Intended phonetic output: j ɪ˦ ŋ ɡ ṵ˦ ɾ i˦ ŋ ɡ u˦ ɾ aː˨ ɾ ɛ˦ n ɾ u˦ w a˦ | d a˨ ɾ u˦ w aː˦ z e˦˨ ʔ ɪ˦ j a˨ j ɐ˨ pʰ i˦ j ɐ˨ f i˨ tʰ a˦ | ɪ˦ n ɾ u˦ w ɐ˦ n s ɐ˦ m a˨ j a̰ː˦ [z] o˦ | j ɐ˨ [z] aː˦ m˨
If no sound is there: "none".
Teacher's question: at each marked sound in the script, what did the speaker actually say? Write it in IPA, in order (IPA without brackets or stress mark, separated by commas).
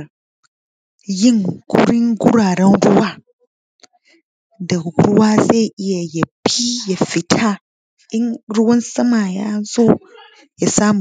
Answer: z, s